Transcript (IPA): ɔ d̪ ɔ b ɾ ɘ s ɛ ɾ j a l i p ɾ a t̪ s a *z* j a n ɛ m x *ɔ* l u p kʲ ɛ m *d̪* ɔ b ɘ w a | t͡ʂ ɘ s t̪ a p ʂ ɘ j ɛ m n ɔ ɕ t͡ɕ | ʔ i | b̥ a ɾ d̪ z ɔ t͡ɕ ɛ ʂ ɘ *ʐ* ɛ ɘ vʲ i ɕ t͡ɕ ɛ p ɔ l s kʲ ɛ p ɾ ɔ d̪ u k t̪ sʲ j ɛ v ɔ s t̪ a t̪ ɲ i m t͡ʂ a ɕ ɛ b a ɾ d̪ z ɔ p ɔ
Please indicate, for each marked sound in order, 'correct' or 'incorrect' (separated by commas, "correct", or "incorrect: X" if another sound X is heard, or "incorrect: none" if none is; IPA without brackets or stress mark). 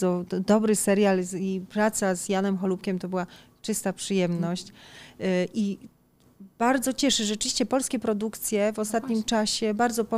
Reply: correct, correct, incorrect: t̪, correct